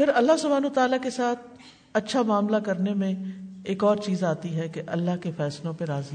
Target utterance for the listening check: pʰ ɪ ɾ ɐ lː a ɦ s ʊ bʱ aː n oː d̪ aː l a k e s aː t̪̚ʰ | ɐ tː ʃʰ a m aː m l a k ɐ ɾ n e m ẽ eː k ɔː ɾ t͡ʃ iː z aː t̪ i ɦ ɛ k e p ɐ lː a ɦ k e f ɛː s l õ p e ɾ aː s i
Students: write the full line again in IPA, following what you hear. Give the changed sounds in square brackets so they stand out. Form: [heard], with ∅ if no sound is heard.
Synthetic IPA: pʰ ɪ ɾ ɐ lː a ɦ s ʊ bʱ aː n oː [t̪] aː l a k e s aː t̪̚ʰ | ɐ tː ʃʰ a m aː m l a k ɐ ɾ n e m ẽ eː k ɔː ɾ t͡ʃ iː z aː t̪ i ɦ ɛ k e [ʔ] ɐ lː a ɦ k e f ɛː s l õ p e ɾ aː [z] i